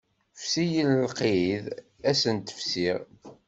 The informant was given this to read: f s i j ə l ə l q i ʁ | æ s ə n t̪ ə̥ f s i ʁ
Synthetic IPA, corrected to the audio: f s i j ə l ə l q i ð | æ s ə n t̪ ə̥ f s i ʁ